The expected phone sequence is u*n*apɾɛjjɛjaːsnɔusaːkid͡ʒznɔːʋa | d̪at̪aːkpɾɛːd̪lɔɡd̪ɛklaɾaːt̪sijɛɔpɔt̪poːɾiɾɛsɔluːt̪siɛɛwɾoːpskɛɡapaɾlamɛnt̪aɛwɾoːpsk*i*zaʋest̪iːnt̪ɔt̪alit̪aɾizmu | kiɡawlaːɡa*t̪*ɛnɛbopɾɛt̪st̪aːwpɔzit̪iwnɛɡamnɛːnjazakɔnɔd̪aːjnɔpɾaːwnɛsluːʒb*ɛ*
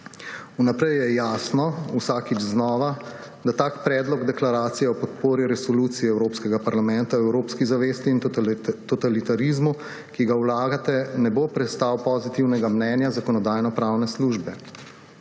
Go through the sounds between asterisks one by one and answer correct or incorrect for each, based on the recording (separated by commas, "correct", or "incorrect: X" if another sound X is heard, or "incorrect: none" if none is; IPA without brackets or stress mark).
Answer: correct, correct, correct, correct